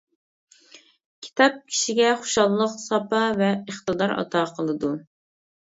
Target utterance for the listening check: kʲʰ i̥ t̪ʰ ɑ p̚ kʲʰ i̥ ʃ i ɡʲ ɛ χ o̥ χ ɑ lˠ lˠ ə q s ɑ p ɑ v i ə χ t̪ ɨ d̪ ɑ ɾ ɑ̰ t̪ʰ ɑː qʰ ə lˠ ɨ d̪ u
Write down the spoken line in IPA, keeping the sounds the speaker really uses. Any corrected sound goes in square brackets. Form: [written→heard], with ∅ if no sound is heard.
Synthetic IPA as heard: kʲʰ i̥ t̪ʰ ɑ p̚ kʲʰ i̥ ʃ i ɡʲ ɛ χ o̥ [χ→ʃ] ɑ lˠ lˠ ə q s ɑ p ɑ v [i→ɛ] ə χ t̪ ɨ d̪ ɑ ɾ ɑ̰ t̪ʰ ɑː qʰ ə lˠ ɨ d̪ u